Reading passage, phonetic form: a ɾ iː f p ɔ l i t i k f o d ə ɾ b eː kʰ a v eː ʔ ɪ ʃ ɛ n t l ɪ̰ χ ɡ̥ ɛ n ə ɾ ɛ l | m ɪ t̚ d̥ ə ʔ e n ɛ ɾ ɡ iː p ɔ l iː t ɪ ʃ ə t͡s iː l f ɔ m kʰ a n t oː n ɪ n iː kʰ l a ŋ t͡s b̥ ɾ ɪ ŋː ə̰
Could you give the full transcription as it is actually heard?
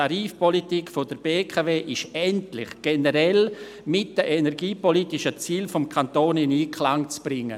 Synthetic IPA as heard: a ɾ iː f p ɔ l i t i k f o d ə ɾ b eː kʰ a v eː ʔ ɪ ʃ ɛ n t l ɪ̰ χ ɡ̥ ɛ n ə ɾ ɛ l | m ɪ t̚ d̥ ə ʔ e n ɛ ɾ ɡ iː p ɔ l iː t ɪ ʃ ə t͡s iː l f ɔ m kʰ a n t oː n ɪ n iː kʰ l a ŋ t͡s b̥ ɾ ɪ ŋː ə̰